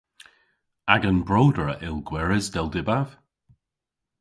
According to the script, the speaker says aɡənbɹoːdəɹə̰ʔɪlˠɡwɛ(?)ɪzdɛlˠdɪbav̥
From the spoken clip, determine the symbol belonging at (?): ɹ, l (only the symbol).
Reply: ɹ